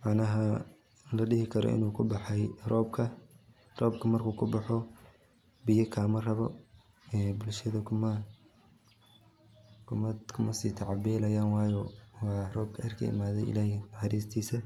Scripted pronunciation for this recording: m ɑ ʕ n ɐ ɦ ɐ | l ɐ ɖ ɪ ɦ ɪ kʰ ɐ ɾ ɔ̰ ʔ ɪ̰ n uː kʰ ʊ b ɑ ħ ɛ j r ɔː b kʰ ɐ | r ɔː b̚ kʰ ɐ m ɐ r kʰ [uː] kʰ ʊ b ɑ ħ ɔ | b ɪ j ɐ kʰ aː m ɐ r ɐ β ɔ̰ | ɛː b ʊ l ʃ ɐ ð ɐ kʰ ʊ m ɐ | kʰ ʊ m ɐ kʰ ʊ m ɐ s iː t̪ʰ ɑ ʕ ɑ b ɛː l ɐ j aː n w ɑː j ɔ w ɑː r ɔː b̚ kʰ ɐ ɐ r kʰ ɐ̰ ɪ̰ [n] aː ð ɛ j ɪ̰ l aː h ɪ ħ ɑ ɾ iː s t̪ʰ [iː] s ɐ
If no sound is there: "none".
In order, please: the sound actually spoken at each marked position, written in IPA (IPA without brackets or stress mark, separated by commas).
uː, m, iː